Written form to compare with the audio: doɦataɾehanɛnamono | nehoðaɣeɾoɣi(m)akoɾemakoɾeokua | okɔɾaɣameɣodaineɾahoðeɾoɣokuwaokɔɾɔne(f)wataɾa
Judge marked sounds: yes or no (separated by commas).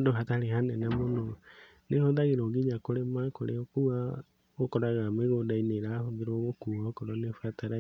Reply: no, yes